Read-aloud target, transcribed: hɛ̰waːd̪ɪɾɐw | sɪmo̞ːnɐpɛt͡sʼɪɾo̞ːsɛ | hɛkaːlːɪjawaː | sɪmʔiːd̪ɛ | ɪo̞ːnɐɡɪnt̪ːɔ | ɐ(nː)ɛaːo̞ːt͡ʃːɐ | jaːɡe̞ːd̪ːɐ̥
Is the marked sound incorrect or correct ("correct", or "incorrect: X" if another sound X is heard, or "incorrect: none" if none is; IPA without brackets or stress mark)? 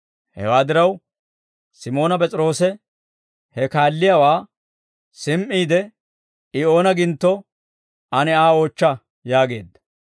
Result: incorrect: n